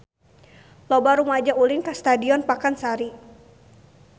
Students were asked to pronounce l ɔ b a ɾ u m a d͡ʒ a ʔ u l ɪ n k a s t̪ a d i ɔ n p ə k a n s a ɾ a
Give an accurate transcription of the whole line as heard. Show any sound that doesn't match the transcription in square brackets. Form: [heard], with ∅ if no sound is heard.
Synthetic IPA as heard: l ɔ b a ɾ u m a d͡ʒ a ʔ u l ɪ n k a s t̪ a d i ɔ n p [a] k a n s a ɾ [i]